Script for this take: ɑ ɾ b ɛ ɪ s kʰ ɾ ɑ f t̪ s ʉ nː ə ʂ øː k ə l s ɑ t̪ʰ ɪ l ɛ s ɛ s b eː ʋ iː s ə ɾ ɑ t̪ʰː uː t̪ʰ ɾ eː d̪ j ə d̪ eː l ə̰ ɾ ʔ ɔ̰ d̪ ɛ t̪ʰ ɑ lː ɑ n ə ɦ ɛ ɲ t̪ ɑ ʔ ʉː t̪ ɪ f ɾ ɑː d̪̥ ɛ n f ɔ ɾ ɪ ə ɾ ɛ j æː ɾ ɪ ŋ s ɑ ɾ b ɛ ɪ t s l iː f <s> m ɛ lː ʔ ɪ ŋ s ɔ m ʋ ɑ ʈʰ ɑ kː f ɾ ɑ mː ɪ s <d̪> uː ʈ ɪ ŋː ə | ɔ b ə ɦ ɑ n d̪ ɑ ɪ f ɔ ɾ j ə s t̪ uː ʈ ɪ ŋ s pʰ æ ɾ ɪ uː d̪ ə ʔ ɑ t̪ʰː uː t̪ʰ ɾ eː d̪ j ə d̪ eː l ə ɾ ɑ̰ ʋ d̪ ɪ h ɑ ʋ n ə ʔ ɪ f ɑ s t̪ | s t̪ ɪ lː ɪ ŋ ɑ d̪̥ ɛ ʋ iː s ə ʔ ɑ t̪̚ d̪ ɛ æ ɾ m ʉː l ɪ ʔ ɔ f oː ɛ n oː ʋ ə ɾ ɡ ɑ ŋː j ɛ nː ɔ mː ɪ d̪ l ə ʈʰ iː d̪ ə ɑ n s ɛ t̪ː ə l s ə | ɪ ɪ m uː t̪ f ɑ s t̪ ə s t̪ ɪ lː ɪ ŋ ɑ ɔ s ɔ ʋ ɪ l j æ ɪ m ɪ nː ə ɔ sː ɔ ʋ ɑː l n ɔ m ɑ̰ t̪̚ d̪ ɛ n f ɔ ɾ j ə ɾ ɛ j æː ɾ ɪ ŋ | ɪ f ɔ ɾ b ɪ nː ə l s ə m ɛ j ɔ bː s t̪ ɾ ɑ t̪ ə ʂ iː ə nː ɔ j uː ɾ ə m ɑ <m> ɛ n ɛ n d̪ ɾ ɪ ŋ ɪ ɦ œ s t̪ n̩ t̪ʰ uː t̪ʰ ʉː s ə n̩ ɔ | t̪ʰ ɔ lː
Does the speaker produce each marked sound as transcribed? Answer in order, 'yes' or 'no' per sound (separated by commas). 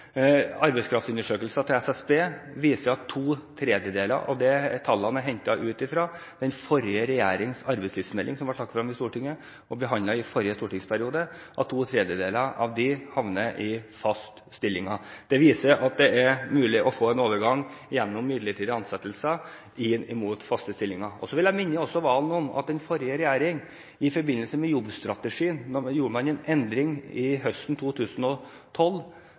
yes, no, no